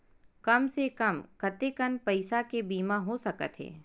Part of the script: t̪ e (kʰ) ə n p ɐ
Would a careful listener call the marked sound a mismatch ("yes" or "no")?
yes